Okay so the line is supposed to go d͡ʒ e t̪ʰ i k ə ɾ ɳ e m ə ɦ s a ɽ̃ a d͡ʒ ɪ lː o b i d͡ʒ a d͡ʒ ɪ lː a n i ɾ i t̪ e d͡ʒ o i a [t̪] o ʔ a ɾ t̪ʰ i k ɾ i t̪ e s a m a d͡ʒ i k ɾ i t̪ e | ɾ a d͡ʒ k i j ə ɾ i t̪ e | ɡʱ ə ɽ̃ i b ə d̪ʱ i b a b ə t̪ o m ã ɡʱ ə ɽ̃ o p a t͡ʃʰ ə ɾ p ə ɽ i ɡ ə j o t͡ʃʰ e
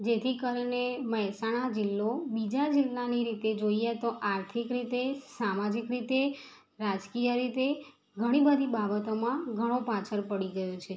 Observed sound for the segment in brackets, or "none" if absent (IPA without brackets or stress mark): t̪